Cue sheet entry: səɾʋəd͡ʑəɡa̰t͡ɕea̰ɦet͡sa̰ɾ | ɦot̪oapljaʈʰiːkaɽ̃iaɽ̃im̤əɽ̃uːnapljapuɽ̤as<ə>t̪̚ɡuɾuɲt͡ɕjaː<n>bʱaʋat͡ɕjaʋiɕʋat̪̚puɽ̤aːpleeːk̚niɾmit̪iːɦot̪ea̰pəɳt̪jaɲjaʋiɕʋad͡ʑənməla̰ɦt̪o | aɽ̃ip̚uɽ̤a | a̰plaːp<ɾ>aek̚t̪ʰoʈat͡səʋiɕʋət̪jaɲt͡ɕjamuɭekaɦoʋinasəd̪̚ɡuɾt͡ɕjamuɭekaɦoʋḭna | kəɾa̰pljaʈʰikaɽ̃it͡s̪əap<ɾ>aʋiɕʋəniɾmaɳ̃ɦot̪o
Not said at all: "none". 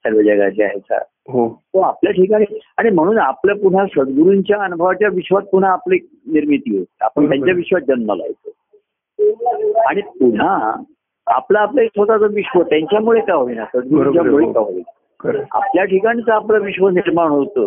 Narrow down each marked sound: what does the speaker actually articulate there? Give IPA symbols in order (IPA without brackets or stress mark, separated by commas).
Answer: ə, n, l, l